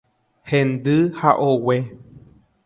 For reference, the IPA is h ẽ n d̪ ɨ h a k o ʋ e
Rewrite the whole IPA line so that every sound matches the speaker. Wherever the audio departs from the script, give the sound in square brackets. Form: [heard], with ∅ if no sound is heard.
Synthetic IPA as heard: h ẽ n d̪ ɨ h a [ʔ] o [w] e